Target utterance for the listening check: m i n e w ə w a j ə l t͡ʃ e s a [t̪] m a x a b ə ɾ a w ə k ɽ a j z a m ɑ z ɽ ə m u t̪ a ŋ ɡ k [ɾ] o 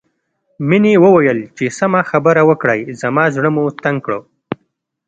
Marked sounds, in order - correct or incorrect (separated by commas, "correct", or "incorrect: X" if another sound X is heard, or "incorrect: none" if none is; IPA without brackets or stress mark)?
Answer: incorrect: none, incorrect: ɽ